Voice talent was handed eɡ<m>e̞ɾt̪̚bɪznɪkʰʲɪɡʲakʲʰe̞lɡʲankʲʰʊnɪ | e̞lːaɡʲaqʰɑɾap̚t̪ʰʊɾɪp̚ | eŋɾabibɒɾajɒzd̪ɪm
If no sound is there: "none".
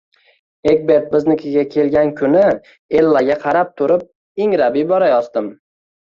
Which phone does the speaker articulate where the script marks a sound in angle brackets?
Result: b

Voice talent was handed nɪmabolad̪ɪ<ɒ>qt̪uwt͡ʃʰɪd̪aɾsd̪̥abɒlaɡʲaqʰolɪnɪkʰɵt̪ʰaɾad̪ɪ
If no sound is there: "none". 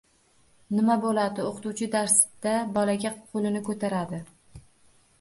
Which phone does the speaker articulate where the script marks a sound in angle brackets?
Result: o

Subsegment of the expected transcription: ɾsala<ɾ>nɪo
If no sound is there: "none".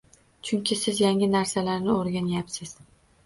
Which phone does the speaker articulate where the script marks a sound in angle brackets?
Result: ɾ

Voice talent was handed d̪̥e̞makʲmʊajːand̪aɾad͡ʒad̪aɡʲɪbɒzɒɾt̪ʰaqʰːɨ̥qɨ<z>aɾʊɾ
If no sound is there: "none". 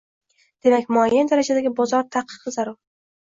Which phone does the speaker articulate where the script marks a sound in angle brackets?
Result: z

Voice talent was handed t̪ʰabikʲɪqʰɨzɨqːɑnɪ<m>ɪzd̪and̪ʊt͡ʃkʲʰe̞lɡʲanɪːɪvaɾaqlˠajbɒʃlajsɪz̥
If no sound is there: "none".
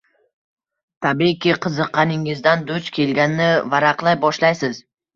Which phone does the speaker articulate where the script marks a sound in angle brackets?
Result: ŋ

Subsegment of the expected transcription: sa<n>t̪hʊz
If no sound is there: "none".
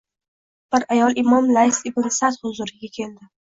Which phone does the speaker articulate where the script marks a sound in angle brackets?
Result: none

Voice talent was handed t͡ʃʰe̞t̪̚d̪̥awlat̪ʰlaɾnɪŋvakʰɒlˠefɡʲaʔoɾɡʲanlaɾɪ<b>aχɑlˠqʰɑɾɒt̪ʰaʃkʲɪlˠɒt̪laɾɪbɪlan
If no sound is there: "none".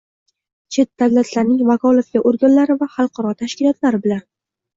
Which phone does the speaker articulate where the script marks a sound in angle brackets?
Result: v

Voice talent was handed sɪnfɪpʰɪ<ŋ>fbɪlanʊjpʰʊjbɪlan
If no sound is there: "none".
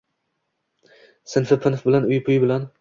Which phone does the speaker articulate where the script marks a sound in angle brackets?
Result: n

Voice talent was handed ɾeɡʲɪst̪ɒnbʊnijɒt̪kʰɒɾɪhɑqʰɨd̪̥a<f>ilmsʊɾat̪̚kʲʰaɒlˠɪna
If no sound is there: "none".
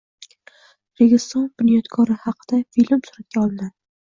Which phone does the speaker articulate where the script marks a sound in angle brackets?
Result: f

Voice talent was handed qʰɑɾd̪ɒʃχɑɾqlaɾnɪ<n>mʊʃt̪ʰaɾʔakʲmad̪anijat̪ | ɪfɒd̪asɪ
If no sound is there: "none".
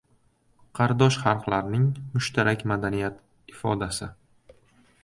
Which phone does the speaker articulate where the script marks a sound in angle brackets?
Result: ŋ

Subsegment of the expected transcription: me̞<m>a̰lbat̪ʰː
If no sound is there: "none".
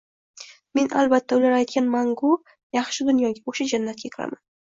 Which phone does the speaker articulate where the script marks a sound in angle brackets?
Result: n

